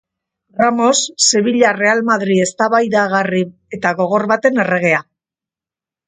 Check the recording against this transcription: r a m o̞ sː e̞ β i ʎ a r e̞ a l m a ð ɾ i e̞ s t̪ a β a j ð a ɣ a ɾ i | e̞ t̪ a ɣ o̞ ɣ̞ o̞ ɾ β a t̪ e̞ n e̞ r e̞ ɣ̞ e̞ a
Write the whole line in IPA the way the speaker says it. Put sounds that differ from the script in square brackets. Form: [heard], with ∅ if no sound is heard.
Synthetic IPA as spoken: r a m o̞ sː e̞ β i ʎ a r e̞ a l m a ð ɾ i e̞ s t̪ a β a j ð a ɣ a [r] i | e̞ t̪ a ɣ o̞ ɣ̞ o̞ ɾ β a t̪ e̞ n e̞ r e̞ ɣ̞ e̞ a